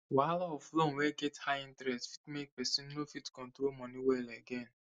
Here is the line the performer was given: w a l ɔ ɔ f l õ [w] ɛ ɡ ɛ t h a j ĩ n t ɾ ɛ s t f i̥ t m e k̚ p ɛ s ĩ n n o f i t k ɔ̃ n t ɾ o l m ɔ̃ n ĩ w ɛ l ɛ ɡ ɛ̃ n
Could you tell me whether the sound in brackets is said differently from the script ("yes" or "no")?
no